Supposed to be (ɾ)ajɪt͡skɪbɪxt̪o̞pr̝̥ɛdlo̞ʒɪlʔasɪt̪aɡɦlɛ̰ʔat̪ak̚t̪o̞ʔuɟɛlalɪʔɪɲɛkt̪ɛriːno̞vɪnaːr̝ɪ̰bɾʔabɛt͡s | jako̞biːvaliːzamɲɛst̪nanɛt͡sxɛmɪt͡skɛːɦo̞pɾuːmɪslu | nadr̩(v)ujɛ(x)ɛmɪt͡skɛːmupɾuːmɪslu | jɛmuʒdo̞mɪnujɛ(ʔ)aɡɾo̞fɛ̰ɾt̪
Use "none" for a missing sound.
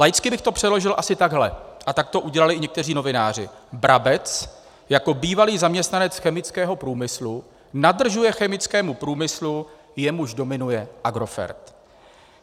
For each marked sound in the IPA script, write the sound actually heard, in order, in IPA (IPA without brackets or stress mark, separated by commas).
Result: l, ʒ, x, ʔ